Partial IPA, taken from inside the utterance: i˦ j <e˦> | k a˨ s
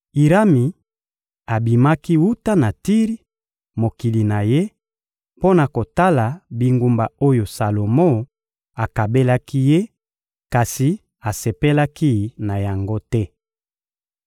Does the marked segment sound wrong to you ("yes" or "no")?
no